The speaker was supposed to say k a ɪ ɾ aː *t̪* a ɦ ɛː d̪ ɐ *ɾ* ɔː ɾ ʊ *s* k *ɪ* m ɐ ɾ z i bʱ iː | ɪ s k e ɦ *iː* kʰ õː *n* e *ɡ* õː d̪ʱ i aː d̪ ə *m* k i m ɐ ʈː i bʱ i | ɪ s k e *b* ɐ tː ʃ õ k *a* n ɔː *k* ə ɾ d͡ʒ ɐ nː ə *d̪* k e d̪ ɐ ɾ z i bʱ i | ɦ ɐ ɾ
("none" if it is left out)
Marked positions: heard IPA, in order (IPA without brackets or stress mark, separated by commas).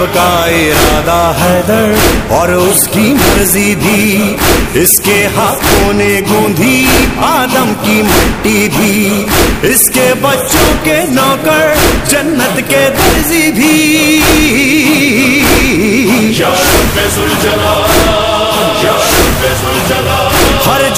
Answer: d̪, ɾ, s, i, aː, n, ɡ, m, b, e, k, t̪